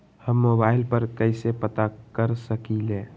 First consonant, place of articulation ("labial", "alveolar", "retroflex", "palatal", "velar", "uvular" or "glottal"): glottal